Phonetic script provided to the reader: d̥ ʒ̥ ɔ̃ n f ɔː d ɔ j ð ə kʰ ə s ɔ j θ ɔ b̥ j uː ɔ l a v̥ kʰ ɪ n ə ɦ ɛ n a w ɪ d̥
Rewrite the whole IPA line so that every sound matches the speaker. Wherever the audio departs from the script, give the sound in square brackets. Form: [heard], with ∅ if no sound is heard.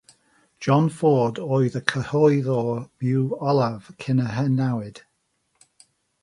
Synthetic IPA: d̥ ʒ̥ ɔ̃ n f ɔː d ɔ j ð ə kʰ ə [h] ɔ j [ð] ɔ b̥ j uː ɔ l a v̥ kʰ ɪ n ə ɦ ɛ n a w ɪ d̥